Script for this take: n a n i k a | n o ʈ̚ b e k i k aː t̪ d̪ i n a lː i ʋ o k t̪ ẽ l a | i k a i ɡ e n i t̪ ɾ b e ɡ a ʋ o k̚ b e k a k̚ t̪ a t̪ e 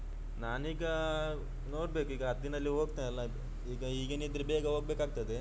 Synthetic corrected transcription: n a n i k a | n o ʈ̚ b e k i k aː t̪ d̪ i n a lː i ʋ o k t̪ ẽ l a | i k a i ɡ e n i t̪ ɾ b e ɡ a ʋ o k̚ b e k a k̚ t̪ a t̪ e